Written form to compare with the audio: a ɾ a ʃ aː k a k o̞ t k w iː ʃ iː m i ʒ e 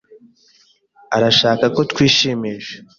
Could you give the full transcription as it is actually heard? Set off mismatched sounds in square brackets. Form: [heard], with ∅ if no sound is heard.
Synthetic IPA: a ɾ a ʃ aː k a k o̞ t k w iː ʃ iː m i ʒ e